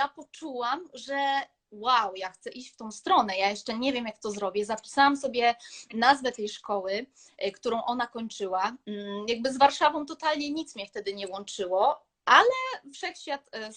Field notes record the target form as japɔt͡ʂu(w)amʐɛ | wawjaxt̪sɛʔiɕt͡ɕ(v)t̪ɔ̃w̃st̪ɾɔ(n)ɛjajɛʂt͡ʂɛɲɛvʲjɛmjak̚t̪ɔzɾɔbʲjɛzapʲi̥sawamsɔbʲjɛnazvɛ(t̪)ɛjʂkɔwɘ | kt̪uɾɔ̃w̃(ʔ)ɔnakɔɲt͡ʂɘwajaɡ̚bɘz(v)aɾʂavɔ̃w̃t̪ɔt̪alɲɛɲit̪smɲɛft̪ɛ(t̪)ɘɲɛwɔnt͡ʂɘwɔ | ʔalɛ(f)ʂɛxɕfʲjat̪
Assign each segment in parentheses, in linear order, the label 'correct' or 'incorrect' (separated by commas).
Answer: correct, incorrect, correct, correct, correct, correct, incorrect, correct